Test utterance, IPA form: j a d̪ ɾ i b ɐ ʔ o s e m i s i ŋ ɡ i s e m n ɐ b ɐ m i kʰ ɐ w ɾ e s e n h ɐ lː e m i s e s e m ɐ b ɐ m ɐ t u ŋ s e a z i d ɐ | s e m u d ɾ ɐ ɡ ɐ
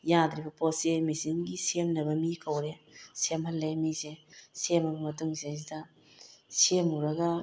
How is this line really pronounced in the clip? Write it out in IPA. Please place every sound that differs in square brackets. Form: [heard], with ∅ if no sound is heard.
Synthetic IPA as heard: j a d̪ ɾ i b ɐ [p] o s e m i s i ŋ ɡ i s e m n ɐ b ɐ m i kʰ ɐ w ɾ e s e [m] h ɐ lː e m i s e s e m ɐ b ɐ m ɐ t u ŋ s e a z i d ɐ | s e m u [∅] ɾ ɐ ɡ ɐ